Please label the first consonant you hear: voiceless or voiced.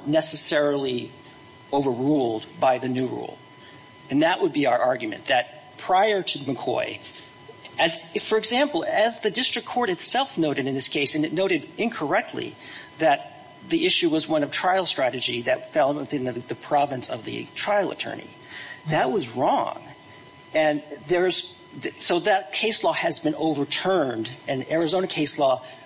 voiced